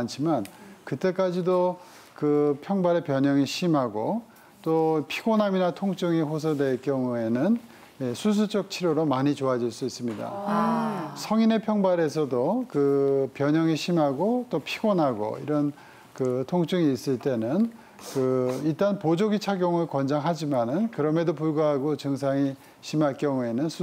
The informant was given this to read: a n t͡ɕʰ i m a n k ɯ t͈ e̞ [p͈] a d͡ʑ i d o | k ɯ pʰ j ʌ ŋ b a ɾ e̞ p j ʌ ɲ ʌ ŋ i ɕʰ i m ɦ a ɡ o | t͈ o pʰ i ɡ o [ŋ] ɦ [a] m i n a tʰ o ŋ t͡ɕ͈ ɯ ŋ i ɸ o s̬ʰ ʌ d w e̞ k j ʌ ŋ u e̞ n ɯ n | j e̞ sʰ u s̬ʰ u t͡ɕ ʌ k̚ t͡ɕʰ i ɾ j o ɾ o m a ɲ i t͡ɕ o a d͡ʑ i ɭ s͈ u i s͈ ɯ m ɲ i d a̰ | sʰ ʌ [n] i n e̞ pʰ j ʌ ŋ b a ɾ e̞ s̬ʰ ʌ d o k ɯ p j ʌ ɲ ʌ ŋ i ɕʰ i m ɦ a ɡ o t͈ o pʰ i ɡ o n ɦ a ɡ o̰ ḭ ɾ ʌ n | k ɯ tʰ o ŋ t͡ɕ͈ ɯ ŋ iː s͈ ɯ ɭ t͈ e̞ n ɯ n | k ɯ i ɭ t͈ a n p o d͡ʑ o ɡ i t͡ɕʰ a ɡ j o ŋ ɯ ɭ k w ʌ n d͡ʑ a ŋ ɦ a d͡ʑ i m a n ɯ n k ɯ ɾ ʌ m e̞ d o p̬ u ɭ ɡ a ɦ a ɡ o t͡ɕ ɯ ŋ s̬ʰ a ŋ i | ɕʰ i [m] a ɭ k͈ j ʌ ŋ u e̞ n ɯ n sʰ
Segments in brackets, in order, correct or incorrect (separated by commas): incorrect, incorrect, correct, incorrect, correct